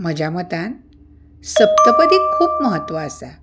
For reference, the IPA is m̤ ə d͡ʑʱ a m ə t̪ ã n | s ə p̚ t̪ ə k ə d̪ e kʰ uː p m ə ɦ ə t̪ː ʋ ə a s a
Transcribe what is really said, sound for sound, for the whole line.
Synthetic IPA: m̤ ə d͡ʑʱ a m ə t̪ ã n | s ə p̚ t̪ ə p ə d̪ i kʰ uː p m ə ɦ ə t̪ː ʋ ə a s a